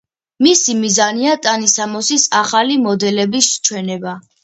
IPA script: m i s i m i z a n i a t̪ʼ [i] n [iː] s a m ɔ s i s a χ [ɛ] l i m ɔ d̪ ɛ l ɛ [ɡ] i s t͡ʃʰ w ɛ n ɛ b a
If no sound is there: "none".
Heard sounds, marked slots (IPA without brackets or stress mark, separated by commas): a, i, a, b